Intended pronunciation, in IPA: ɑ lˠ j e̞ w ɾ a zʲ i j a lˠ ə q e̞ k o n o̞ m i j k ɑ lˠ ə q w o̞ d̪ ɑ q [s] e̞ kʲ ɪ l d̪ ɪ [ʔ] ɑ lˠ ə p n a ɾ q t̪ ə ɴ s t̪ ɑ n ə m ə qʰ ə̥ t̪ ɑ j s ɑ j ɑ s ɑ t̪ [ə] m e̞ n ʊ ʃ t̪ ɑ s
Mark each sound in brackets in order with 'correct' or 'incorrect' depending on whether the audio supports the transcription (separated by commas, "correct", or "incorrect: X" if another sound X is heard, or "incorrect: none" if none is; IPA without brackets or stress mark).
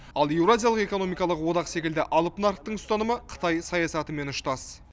correct, correct, correct